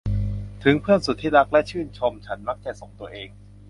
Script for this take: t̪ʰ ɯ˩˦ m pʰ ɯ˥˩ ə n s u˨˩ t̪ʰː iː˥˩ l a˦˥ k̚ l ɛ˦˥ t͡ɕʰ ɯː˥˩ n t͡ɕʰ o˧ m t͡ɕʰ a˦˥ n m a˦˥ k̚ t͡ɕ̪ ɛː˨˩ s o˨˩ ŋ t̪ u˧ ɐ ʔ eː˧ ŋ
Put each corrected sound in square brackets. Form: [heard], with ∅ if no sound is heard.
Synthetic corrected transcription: t̪ʰ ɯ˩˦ [ŋ] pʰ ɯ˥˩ ə n s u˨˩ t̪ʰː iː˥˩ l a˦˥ k̚ l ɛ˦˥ t͡ɕʰ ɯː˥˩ n t͡ɕʰ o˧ m t͡ɕʰ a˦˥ n m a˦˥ k̚ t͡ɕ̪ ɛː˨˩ s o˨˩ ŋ t̪ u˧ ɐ ʔ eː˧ ŋ